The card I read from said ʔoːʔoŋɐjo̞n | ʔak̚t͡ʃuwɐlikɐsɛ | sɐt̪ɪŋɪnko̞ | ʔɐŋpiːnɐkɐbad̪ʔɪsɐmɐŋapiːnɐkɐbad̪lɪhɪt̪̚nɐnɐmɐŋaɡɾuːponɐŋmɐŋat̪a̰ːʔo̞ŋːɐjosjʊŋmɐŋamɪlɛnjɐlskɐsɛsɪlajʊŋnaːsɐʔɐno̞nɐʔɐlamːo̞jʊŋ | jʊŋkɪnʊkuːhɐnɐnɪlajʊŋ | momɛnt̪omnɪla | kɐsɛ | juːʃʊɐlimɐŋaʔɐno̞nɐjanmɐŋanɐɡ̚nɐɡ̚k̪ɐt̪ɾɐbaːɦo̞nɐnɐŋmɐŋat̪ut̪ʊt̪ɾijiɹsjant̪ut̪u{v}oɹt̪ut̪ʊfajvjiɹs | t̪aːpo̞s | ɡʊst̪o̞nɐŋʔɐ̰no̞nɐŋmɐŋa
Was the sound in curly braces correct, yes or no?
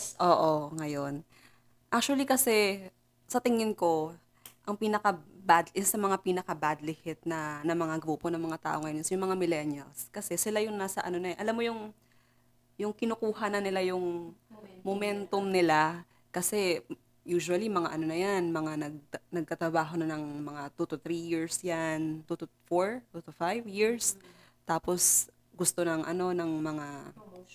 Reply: no